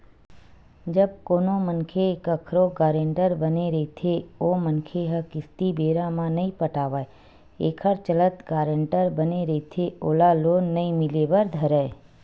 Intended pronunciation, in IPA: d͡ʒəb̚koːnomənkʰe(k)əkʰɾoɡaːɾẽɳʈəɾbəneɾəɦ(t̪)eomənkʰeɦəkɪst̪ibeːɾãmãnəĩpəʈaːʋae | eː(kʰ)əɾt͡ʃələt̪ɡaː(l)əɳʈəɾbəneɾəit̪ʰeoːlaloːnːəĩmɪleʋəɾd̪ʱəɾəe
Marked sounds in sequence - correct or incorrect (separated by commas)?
correct, incorrect, correct, incorrect